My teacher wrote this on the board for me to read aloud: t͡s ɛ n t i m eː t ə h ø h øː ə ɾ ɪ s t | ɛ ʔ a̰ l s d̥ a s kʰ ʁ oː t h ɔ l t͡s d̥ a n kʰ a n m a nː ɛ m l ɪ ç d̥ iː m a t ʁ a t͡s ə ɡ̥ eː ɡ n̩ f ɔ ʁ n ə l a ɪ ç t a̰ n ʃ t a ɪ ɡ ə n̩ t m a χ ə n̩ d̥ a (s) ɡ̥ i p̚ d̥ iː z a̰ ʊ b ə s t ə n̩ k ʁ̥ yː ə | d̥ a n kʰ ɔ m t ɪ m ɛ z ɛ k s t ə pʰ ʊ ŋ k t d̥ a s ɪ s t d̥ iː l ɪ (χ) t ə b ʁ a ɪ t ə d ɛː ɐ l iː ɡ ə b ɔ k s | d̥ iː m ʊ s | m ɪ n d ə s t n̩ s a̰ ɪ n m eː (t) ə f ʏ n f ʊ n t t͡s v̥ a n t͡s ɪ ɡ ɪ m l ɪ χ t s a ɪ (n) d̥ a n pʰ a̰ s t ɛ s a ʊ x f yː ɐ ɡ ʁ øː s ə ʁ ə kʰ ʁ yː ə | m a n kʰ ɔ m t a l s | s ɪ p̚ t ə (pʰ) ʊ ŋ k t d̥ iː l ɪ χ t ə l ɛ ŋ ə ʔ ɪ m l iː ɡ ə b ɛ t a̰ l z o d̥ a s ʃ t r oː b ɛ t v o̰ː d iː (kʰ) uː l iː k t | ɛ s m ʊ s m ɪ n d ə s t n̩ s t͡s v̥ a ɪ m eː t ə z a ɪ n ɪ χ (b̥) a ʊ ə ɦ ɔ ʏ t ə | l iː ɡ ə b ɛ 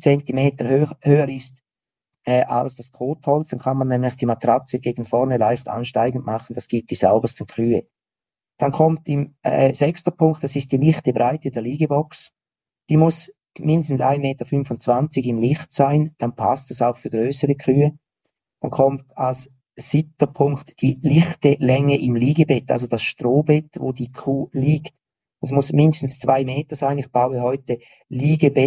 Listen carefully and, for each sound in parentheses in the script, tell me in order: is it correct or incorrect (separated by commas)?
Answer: correct, correct, correct, correct, correct, correct, correct